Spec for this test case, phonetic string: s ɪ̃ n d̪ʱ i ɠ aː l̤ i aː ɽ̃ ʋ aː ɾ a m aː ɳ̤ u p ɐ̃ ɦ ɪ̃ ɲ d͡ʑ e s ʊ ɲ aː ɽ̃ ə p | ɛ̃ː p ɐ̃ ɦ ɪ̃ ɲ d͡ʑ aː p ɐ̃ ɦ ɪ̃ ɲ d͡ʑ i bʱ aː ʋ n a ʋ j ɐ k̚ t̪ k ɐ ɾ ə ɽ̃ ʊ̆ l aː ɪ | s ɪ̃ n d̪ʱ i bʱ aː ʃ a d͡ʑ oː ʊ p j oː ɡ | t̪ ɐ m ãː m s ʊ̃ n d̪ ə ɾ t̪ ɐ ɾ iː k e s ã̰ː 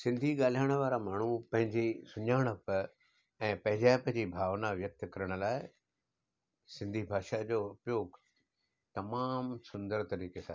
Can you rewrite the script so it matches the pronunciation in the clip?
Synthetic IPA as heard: s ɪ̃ n d̪ʱ i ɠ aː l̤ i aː ɽ̃ ʋ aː ɾ a m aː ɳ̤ u p ɐ̃ ɦ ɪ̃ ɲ d͡ʑ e s ʊ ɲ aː ɽ̃ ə p | ɛ̃ː p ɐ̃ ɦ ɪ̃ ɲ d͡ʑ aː p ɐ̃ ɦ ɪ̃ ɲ d͡ʑ i bʱ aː ʋ n a ʋ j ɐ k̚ t̪ k ɐ ɾ ə ɽ̃ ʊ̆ l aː ɪ | s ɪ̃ n d̪ʱ i bʱ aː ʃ a d͡ʑ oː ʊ p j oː ɡ | t̪ ɐ m aː m s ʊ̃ n d̪ ə ɾ t̪ ɐ ɾ iː k e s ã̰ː